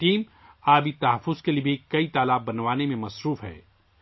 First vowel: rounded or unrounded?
unrounded